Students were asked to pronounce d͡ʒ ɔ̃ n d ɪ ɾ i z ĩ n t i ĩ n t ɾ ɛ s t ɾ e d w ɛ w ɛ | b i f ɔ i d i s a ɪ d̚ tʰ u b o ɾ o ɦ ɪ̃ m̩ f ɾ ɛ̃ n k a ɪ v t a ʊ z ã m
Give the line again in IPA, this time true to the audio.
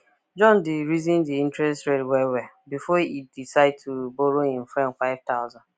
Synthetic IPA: d͡ʒ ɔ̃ n d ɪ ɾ i z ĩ n d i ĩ n t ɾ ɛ s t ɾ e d w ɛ w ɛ | b i f ɔ i d i s a ɪ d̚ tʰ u b o ɾ o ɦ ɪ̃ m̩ f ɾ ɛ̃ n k a ɪ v t a ʊ z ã n